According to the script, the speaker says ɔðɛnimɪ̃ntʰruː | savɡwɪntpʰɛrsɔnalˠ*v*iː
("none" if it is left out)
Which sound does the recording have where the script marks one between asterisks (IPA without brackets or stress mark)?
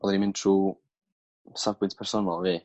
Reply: v